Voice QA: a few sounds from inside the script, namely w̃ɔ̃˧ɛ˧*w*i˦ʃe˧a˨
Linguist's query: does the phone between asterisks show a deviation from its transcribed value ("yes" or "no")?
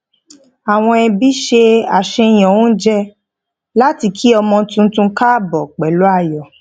yes